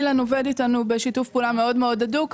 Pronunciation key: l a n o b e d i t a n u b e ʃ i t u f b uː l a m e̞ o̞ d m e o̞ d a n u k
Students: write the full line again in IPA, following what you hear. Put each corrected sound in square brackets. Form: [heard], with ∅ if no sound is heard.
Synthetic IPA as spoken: l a n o [v] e d i t a n u b e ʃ i t u f [p] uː l a m e̞ o̞ d m e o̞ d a [d] u k